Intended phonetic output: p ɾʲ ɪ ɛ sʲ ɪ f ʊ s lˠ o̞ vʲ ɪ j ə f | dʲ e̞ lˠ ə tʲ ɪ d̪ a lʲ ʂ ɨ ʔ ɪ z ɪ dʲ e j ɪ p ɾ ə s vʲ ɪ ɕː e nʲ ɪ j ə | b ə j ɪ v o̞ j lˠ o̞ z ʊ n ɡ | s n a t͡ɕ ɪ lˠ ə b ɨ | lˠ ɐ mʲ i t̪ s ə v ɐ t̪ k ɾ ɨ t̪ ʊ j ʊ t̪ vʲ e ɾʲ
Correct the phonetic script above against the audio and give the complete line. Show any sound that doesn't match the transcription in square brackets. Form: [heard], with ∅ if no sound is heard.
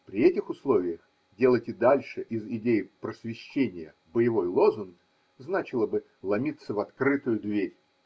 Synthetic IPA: p ɾʲ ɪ ɛ [tʲ] ɪ [x] ʊ s lˠ o̞ vʲ ɪ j ə [x] | dʲ e̞ lˠ ə tʲ ɪ d̪ a lʲ ʂ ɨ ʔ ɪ z ɪ dʲ e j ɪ p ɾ ə s vʲ ɪ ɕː e nʲ ɪ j ə | b ə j ɪ v o̞ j lˠ o̞ z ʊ n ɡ | [z] n a t͡ɕ ɪ lˠ ə b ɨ | lˠ ɐ mʲ i t̪ s ə v ɐ t̪ k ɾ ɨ t̪ ʊ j ʊ [d̪] vʲ e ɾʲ